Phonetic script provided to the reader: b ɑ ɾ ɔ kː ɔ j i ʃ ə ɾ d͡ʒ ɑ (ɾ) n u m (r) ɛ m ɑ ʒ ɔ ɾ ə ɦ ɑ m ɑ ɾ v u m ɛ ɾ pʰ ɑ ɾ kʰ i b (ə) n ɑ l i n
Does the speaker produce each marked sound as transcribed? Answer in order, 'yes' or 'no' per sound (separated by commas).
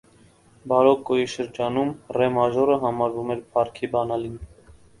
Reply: no, yes, no